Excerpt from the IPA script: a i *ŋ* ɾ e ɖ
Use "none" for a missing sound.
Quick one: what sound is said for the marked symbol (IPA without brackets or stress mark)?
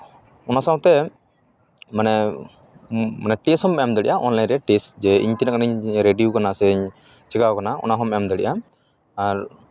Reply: ɲ